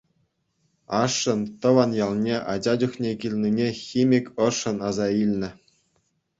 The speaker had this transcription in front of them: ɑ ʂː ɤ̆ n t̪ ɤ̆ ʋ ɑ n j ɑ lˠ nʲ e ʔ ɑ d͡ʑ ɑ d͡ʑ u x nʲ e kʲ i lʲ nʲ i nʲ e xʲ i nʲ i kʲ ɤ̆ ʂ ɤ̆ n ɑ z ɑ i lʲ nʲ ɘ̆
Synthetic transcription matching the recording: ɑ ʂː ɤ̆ n t̪ ɤ̆ ʋ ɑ n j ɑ lˠ nʲ e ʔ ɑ d͡ʑ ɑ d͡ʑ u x nʲ e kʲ i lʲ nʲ i nʲ e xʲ i mʲ i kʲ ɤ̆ ʂ ɤ̆ n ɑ z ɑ i lʲ nʲ ɘ̆